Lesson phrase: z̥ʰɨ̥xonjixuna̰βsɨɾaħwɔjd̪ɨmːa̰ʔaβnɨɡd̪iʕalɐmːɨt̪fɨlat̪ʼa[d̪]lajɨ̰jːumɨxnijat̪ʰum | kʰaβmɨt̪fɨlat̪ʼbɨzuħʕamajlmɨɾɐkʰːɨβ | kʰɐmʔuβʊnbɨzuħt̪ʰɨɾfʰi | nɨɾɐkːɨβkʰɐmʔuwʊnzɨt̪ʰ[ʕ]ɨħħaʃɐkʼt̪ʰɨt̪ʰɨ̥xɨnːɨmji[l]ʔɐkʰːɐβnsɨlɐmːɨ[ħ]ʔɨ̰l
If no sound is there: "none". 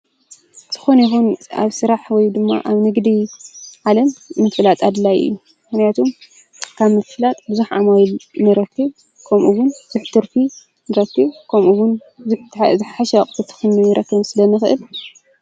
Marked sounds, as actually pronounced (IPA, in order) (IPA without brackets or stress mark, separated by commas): d̪, z, ɾ, x